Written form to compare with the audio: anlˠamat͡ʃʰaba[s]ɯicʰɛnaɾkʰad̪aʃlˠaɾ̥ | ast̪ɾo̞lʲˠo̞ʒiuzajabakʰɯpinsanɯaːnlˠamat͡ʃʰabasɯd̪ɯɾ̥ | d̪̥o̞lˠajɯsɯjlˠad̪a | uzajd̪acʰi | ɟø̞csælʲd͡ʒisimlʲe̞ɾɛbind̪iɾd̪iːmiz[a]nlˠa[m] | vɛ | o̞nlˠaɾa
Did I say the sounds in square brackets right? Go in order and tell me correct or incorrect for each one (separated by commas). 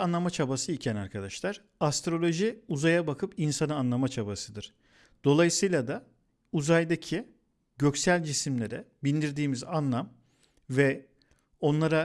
correct, correct, correct